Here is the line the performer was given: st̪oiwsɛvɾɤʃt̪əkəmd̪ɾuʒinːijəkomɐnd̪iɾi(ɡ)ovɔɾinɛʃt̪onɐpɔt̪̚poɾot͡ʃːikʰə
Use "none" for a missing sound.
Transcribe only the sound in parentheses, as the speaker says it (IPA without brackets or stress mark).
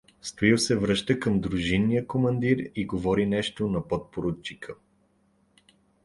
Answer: ɡ